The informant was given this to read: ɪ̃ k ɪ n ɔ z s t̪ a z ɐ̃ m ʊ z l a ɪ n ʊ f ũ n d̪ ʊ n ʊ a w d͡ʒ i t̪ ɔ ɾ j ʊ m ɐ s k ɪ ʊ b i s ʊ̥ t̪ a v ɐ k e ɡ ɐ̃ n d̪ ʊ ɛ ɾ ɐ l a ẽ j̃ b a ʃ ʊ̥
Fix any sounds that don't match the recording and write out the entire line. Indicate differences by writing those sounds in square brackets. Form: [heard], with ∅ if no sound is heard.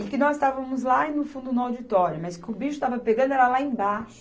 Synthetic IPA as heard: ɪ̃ k ɪ n ɔ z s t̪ a [v] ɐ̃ m ʊ z l a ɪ n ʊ f ũ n d̪ ʊ n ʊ a w d͡ʒ i t̪ ɔ ɾ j ʊ m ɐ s k ɪ ʊ b i [ʃ] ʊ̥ t̪ a v ɐ [p] e ɡ ɐ̃ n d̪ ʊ ɛ ɾ ɐ l a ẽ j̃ b a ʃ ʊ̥